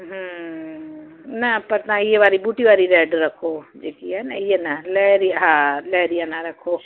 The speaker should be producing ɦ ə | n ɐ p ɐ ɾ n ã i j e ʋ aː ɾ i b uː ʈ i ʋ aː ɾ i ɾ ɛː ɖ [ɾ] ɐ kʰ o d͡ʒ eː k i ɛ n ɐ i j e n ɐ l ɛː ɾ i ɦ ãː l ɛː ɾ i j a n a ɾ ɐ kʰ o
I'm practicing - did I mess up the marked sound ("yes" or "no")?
no